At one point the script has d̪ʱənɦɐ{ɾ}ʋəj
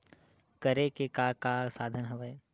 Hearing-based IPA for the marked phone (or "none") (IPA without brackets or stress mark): none